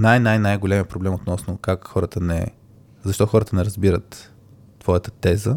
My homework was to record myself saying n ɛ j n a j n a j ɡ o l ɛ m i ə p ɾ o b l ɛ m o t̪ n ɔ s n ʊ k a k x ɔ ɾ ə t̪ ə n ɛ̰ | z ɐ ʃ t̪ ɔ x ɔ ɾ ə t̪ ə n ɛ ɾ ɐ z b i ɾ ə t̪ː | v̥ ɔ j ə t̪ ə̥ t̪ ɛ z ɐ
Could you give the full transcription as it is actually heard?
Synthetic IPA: n a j n a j n a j ɡ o l ɛ m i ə p ɾ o b l ɛ m o t̪ n ɔ s n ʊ k a k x ɔ ɾ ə t̪ ə n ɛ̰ | z ɐ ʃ t̪ ɔ x ɔ ɾ ə t̪ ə n ɛ ɾ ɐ z b i ɾ ə t̪ː | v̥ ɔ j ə t̪ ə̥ t̪ ɛ z ə